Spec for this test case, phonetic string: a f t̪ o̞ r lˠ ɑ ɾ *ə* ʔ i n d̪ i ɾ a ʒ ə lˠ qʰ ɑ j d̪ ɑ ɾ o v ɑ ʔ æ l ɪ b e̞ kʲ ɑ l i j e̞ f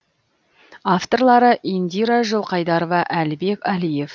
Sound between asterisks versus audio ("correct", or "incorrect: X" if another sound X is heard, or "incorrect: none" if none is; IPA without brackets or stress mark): correct